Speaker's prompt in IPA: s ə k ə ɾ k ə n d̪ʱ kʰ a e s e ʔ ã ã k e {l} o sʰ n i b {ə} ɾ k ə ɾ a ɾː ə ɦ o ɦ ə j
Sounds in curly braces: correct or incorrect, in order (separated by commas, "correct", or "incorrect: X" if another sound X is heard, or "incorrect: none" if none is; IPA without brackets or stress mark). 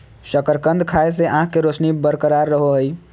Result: incorrect: ɾ, correct